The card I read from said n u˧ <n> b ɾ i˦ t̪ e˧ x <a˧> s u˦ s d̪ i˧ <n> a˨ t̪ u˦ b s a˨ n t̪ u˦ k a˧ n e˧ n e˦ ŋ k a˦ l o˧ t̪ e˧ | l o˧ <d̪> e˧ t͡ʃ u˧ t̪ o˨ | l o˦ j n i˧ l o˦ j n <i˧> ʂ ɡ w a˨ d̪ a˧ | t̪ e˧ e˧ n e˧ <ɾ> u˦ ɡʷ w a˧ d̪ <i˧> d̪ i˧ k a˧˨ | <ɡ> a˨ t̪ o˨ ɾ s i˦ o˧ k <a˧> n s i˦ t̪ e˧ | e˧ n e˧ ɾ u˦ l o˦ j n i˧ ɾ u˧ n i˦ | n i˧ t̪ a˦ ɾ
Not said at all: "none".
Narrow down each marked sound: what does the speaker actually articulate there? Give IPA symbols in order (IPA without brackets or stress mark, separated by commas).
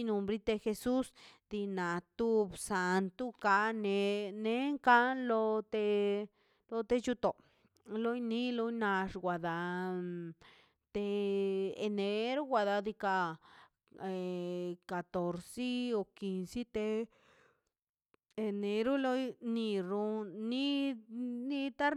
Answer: m, e˧, n, t̪, a˧, ɾ, a˧, k, i˧